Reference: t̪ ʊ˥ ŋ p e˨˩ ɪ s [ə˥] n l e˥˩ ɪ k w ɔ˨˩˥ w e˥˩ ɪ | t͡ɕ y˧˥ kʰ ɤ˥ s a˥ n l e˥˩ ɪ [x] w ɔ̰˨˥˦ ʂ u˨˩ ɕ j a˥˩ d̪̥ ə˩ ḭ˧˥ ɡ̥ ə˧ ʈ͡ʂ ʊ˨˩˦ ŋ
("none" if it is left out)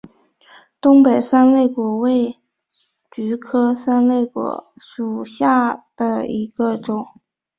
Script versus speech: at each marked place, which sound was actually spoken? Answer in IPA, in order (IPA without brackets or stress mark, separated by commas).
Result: a˥, k